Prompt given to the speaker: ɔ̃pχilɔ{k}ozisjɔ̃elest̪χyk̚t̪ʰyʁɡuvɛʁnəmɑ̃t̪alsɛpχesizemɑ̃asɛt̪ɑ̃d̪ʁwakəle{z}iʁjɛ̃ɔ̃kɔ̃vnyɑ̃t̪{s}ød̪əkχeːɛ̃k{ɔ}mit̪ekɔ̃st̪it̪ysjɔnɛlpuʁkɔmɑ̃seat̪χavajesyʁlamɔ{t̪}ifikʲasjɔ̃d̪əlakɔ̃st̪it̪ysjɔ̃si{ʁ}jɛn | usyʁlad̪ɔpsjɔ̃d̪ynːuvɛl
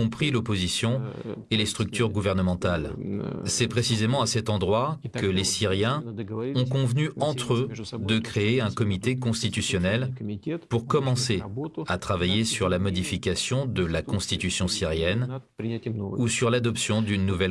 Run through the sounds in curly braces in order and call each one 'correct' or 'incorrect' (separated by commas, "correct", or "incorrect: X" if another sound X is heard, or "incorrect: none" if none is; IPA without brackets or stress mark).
incorrect: p, incorrect: s, incorrect: χ, correct, incorrect: d̪, correct